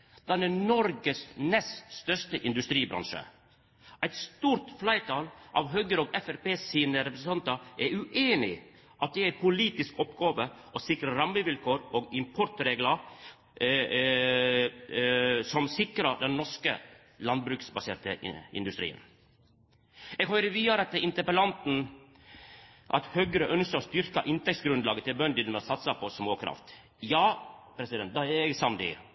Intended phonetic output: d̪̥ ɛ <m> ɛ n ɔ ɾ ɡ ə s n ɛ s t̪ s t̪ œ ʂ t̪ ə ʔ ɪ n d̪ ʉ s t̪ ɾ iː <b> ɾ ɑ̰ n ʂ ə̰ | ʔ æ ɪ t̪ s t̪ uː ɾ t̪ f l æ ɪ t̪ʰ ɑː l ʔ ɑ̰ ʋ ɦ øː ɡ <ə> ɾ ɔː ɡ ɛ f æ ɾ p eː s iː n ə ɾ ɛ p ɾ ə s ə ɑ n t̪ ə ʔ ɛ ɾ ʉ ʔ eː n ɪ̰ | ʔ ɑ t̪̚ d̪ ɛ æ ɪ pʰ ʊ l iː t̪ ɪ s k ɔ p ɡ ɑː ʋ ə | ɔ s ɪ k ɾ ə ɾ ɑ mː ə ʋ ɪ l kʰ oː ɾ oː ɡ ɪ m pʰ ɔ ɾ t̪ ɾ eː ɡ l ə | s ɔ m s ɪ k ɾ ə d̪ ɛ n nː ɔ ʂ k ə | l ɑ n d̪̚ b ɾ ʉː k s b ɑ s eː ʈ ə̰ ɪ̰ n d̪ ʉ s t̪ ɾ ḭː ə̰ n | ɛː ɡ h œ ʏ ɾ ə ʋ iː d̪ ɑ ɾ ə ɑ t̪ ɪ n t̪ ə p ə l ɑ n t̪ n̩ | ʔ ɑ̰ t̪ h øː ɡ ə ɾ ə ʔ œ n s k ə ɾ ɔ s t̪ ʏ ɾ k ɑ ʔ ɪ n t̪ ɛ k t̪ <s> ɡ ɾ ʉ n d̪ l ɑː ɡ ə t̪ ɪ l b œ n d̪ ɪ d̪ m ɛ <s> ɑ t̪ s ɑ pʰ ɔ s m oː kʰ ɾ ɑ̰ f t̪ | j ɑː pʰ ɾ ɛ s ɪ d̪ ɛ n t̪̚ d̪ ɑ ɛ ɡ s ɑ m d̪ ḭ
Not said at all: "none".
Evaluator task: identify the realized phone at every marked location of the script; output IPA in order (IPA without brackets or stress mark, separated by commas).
n, b, ə, s, s